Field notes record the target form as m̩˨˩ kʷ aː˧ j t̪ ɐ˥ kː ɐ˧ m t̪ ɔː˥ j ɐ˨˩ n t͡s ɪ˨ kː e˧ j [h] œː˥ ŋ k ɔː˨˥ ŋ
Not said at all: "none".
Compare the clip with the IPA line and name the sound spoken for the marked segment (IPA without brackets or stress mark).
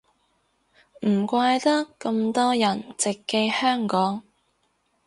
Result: h